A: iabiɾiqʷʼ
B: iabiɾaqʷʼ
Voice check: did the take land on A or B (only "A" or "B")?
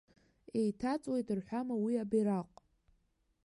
B